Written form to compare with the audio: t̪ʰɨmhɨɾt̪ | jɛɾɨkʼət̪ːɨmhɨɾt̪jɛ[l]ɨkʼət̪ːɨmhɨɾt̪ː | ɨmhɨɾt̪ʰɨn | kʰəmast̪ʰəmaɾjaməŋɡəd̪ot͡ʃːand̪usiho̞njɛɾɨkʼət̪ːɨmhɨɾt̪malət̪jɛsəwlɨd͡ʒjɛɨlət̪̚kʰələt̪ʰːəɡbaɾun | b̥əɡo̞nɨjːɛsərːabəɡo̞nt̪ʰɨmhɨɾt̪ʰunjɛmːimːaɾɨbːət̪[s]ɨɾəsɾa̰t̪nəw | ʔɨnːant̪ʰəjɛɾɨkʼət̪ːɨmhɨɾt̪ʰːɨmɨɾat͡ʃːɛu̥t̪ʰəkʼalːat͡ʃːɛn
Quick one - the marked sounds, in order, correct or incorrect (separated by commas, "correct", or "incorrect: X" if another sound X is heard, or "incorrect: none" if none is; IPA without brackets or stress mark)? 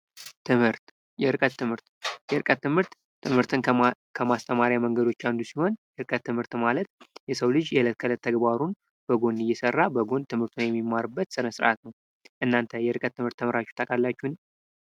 incorrect: ɾ, correct